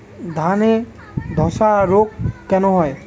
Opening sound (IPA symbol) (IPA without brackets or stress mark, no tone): d̪ʱ